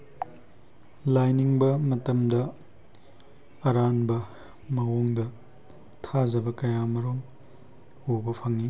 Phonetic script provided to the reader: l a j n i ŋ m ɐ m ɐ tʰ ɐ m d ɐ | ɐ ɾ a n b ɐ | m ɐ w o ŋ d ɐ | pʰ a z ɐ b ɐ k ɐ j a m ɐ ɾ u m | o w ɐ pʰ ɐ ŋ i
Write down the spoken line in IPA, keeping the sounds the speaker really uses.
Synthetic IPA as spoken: l a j n i ŋ b ɐ m ɐ t ɐ m d ɐ | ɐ ɾ a n b ɐ | m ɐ w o ŋ d ɐ | tʰ a z ɐ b ɐ k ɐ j a m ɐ ɾ o m | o b ɐ pʰ ɐ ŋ i